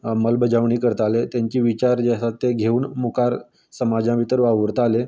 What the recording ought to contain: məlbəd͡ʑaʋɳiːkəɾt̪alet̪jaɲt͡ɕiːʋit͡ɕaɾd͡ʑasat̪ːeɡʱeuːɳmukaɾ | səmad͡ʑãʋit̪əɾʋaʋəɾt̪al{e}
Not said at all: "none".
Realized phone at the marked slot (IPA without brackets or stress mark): e